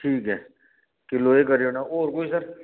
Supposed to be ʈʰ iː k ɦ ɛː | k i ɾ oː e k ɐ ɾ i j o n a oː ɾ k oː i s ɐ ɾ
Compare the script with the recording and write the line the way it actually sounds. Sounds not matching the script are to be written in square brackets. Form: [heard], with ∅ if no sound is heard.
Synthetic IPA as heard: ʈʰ iː k ɦ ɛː | k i [l] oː e k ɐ ɾ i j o n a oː ɾ k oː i s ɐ ɾ

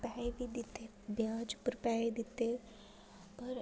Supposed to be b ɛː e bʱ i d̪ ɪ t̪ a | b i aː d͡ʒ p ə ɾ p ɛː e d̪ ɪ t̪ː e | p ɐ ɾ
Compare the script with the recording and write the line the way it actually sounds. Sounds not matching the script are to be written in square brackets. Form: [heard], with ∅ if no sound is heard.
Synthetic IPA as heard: [p] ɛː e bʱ i d̪ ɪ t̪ [e] | b [j] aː d͡ʒ p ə ɾ p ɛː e d̪ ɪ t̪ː e | p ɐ ɾ

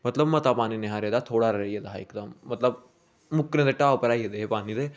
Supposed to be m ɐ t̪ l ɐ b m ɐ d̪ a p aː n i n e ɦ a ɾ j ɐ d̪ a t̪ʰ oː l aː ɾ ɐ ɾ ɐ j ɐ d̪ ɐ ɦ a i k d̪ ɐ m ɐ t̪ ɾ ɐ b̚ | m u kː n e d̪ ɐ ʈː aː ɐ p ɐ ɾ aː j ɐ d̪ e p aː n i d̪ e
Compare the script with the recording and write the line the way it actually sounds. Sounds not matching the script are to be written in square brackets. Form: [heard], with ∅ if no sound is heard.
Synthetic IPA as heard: m ɐ t̪ l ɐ b m ɐ [t̪] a p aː n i n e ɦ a ɾ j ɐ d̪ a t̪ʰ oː [ɽ] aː ɾ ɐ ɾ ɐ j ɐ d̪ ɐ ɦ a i k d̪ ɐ m ɐ t̪ [l] ɐ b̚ | m u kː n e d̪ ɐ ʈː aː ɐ p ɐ ɾ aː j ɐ d̪ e p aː n i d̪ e

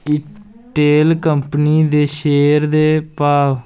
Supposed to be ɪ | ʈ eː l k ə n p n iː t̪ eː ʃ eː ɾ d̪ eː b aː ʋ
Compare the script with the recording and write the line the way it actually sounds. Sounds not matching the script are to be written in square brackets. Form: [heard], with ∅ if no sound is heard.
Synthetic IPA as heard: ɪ | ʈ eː l k ə [m] p n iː [d̪] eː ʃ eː ɾ d̪ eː [p] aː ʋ

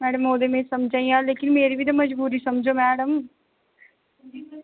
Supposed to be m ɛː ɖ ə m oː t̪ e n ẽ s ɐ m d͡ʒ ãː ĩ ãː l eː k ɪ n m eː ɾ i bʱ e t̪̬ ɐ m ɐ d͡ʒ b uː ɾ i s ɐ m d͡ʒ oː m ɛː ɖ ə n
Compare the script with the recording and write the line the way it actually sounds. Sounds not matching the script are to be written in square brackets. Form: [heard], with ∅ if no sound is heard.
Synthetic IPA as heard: m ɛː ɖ ə m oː [d̪] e [m] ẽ s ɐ m d͡ʒ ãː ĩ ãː l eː k ɪ n m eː ɾ i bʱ [i] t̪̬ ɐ m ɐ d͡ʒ b uː ɾ i s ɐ m d͡ʒ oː m ɛː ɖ ə [m]

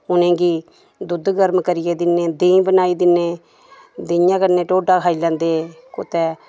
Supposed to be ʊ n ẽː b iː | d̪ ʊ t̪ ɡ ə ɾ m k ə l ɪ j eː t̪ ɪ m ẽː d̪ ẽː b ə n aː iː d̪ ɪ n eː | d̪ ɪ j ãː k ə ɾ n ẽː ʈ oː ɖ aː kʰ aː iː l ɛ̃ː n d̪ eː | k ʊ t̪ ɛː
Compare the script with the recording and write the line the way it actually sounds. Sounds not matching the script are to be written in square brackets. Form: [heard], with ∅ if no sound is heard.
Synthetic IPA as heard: ʊ n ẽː [ɡ] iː | d̪ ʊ [d̪] ɡ ə ɾ m k ə [ɾ] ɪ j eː [d̪] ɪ [n] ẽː d̪ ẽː b ə n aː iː d̪ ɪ n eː | d̪ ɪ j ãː k ə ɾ n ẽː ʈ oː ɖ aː kʰ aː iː l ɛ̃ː n d̪ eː | k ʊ t̪ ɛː

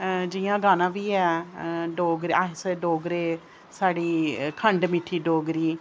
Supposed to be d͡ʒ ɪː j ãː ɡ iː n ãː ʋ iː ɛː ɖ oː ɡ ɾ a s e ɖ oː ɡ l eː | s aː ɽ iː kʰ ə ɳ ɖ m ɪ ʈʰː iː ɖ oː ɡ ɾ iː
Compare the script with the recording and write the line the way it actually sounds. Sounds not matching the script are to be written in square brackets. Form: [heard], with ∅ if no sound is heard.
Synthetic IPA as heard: d͡ʒ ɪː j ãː ɡ [aː] n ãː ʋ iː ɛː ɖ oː ɡ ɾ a s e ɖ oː ɡ [ɾ] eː | s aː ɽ iː kʰ ə ɳ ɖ m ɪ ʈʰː iː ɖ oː ɡ ɾ iː

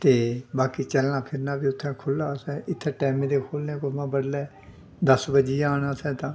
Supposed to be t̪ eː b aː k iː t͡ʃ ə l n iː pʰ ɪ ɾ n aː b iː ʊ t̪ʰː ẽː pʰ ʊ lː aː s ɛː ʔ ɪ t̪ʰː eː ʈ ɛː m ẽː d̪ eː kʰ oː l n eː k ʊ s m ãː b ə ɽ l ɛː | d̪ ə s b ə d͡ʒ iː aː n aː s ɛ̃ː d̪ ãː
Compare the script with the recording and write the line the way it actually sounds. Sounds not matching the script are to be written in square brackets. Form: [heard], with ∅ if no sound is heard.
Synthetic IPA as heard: t̪ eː b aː k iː t͡ʃ ə l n [aː] pʰ ɪ ɾ n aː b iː ʊ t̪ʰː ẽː [kʰ] ʊ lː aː s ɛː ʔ ɪ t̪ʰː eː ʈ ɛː m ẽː d̪ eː kʰ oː l n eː k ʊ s m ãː b ə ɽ l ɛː | d̪ ə s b ə d͡ʒ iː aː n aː s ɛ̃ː [t̪] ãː

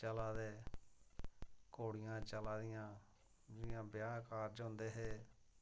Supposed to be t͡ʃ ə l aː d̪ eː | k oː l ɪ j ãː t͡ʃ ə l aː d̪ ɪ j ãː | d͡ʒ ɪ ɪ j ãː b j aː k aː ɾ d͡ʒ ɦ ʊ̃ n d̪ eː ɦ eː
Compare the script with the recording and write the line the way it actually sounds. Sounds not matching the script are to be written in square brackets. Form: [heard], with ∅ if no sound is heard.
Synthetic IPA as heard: t͡ʃ ə l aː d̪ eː | k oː [ɽ] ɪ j ãː t͡ʃ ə l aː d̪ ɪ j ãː | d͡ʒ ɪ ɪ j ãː b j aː k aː ɾ d͡ʒ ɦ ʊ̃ n d̪ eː ɦ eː

